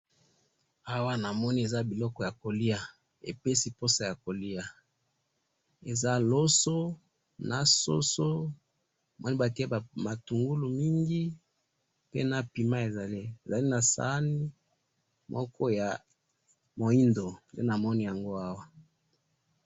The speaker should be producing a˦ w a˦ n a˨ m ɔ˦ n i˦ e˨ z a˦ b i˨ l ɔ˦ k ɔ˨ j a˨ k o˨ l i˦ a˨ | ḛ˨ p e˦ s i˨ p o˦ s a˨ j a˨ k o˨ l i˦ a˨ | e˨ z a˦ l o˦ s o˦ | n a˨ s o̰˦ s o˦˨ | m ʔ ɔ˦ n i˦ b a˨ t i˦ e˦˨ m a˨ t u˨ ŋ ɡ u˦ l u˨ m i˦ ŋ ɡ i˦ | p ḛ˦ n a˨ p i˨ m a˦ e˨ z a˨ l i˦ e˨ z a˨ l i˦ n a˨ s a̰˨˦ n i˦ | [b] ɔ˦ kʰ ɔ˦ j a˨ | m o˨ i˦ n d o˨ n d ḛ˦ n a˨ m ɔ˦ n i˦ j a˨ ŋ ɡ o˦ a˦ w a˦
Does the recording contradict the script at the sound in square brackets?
yes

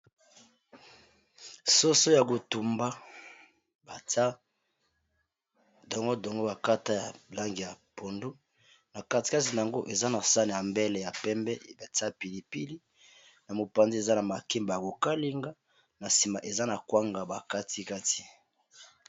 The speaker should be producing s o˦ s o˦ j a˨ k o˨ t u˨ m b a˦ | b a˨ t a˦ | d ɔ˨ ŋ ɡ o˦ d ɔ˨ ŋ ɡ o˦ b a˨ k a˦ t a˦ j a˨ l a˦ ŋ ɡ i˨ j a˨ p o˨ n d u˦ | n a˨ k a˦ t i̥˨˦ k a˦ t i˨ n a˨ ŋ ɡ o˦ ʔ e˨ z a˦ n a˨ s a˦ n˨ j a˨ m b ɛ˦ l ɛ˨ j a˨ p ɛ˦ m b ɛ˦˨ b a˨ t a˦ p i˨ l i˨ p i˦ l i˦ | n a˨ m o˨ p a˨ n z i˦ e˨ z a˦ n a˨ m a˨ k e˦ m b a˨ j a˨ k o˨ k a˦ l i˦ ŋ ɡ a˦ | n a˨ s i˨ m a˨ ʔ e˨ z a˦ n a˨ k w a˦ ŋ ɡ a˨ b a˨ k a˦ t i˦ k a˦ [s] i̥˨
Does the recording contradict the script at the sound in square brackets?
yes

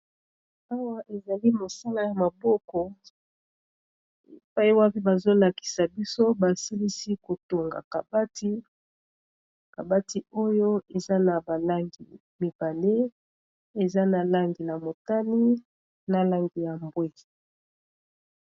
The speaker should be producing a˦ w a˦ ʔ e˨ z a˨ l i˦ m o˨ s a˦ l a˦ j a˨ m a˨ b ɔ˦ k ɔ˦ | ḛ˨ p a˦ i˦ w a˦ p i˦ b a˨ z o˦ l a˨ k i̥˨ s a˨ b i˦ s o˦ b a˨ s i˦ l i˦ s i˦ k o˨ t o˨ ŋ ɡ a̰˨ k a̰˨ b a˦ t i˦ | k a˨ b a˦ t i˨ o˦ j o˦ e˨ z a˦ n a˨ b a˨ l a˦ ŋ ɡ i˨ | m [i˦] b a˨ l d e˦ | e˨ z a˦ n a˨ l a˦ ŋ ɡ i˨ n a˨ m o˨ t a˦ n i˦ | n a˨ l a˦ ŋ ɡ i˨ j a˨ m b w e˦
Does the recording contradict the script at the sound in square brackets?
yes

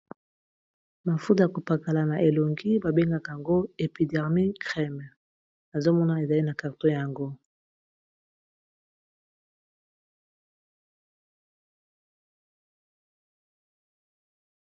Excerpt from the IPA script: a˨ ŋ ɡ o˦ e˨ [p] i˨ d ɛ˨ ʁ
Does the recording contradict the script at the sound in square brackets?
no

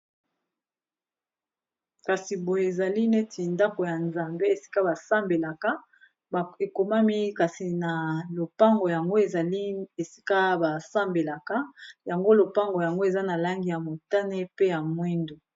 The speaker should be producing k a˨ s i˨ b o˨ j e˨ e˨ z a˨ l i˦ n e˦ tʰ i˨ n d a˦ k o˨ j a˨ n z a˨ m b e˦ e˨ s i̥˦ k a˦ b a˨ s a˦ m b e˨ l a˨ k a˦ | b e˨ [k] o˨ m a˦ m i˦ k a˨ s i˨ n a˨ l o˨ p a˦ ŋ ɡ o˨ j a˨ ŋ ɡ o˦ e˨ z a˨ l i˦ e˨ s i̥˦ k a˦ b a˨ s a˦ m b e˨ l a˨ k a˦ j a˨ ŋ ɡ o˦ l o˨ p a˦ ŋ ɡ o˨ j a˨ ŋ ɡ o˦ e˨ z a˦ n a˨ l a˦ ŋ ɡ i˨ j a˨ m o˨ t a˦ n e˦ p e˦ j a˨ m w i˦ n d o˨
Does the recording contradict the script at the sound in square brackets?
no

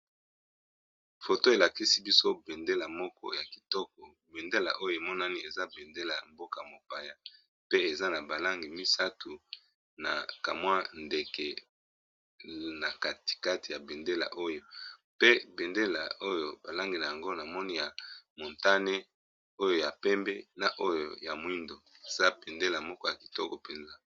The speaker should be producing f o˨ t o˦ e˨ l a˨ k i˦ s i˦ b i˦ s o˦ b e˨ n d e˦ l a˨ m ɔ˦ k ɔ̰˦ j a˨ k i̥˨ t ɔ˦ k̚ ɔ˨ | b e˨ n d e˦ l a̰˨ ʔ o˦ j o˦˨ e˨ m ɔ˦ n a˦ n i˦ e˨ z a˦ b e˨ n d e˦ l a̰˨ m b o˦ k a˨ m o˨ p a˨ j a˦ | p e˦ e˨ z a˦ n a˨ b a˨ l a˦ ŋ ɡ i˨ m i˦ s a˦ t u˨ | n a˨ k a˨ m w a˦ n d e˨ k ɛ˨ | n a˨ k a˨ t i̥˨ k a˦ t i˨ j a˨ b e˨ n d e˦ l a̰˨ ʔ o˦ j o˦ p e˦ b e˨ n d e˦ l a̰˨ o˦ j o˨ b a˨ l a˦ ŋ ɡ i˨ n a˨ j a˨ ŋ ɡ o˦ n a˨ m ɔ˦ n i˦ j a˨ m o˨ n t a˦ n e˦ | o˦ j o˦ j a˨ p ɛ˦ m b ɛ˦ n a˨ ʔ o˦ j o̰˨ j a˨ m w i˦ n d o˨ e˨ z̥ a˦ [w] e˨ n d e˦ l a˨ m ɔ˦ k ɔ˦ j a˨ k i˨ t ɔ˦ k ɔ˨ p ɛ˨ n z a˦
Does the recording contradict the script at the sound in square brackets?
yes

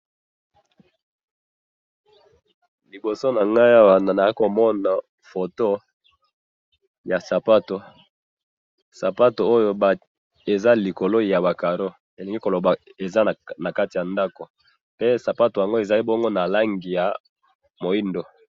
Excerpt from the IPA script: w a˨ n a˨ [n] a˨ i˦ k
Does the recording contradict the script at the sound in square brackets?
no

